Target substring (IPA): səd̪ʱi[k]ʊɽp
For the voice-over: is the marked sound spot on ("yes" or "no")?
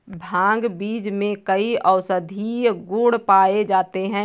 no